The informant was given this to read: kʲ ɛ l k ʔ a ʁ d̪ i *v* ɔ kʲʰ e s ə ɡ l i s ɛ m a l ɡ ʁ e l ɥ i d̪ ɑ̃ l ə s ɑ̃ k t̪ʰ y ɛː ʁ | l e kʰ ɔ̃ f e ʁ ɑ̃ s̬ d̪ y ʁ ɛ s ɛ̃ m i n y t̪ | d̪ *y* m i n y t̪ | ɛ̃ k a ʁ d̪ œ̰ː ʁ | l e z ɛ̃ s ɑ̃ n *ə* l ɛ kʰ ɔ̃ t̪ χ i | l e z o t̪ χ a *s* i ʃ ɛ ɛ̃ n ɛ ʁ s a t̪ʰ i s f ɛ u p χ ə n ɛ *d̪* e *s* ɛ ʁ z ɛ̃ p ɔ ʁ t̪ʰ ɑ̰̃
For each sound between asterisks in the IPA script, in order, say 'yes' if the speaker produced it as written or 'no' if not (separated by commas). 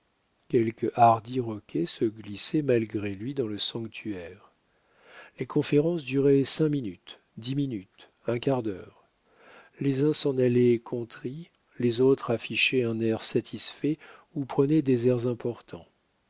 no, no, no, no, yes, no